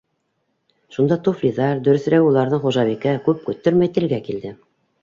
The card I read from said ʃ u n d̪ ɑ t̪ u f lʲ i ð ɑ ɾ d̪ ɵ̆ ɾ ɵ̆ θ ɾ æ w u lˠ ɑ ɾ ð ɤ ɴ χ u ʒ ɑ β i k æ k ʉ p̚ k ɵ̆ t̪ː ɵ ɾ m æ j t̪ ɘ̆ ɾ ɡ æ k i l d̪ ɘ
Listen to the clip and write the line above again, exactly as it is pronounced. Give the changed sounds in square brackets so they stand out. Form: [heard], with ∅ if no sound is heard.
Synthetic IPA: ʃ u n d̪ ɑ t̪ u f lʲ i ð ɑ ɾ d̪ ɵ̆ ɾ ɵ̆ θ ɾ æ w u lˠ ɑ ɾ ð ɤ ɴ χ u ʒ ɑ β i k æ k ʉ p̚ k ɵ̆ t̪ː ɵ ɾ m æ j t̪ ɘ̆ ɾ ɡ æ k i l d̪ ɘ